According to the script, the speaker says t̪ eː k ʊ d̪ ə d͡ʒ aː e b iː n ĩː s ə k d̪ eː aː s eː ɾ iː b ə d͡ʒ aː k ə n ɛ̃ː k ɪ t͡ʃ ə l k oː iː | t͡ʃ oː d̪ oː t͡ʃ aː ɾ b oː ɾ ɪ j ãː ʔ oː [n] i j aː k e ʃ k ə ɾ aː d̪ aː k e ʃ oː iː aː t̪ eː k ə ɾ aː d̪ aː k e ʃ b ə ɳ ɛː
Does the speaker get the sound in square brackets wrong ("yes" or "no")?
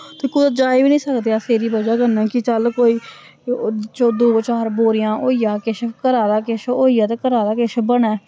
yes